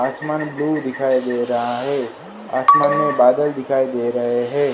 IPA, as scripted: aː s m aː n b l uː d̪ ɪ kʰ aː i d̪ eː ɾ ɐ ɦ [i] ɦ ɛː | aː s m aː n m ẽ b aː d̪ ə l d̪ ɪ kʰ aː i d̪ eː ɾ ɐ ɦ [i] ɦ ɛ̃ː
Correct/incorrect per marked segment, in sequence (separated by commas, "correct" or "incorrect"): incorrect, incorrect